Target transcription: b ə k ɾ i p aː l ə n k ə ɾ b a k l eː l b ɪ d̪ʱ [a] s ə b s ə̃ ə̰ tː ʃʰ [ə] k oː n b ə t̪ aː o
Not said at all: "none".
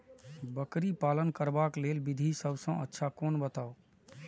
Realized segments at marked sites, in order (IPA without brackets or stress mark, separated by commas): i, a